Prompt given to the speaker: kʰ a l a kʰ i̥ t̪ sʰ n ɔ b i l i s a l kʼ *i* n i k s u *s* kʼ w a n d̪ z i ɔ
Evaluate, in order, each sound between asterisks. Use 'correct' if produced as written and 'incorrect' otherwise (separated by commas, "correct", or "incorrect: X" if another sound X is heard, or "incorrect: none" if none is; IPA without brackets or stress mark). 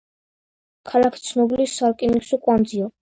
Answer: correct, incorrect: none